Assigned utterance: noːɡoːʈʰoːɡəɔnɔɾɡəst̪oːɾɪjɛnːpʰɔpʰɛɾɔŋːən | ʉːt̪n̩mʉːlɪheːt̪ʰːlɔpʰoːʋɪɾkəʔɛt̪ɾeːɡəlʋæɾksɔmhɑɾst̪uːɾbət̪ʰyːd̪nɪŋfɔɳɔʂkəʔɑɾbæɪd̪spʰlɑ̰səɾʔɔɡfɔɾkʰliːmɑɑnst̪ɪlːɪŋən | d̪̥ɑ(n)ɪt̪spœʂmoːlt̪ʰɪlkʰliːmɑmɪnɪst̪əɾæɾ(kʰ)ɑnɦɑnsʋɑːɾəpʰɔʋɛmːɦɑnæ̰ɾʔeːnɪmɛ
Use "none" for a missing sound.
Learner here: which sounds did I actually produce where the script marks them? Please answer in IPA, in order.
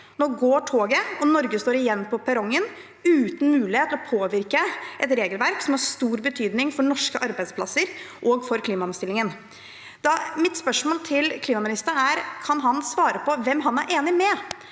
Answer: m, kʰ

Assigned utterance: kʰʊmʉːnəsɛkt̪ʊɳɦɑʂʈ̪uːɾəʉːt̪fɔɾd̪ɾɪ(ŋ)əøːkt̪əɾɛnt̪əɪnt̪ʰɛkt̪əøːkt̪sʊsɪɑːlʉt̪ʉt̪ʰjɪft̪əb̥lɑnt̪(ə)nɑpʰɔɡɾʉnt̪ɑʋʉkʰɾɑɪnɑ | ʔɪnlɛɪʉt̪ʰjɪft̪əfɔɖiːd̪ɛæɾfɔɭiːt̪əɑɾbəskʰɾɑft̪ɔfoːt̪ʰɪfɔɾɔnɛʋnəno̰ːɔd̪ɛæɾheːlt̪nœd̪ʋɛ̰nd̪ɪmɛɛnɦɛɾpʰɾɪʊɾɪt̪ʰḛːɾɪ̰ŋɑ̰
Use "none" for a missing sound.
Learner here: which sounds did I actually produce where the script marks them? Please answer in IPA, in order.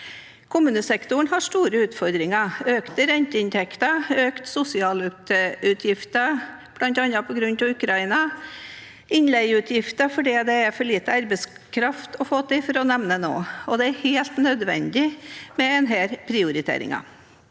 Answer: ŋ, ɑ

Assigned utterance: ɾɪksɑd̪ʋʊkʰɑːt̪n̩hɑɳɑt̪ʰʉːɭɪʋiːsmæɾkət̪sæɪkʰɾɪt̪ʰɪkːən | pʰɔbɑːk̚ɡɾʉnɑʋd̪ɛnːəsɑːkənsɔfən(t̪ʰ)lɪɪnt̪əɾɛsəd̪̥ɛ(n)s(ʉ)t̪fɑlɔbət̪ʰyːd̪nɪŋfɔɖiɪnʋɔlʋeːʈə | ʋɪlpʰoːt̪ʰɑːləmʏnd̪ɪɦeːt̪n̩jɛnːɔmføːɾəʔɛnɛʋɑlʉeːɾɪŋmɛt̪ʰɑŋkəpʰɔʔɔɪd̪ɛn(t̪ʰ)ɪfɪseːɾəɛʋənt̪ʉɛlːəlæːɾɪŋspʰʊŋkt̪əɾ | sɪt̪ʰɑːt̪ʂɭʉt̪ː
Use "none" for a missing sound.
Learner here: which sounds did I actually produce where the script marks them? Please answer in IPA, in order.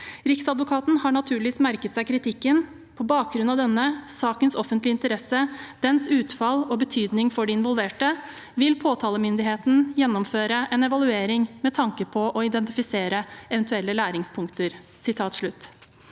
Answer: t̪, n, ʉː, t̪

